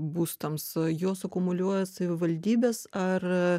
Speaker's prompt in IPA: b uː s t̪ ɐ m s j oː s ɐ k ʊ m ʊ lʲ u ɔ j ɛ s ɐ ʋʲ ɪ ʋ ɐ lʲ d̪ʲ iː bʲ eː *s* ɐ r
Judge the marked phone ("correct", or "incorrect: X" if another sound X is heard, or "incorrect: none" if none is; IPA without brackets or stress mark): correct